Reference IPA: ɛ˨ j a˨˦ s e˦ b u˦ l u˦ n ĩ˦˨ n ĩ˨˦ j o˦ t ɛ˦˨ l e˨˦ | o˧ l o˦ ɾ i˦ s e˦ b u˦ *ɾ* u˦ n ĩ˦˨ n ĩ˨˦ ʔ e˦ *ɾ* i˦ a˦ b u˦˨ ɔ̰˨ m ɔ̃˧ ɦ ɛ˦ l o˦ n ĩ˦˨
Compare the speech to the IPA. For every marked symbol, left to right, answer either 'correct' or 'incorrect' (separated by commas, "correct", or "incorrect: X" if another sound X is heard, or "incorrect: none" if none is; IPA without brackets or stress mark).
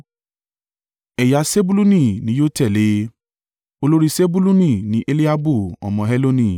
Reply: incorrect: l, incorrect: l